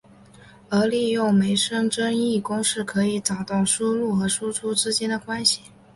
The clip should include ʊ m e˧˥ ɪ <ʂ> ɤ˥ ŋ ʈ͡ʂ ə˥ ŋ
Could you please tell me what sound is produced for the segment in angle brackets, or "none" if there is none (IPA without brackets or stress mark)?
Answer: ʂ